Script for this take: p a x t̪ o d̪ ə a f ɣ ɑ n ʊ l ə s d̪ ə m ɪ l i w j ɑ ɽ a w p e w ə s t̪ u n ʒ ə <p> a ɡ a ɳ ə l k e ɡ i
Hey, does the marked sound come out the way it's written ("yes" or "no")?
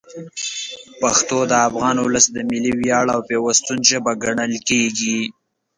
no